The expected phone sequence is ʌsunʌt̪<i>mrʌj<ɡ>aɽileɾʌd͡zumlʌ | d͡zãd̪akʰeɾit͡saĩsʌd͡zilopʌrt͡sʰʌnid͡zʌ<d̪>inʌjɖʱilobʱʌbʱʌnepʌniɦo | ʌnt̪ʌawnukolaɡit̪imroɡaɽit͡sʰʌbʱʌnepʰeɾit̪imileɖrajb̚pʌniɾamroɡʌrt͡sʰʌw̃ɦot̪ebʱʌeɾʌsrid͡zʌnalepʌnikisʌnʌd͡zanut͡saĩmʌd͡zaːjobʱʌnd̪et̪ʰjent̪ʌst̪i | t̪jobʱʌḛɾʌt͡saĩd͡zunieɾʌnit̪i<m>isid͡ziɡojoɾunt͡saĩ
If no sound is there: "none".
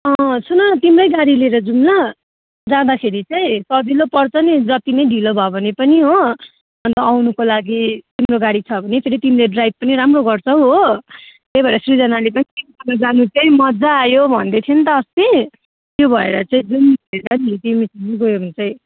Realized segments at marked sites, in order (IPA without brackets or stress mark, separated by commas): i, ɡ, t̪, m